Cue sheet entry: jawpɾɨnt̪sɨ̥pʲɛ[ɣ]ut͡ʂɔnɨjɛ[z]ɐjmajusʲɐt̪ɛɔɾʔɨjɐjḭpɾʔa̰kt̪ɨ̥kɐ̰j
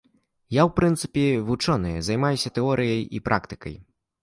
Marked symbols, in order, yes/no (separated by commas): no, yes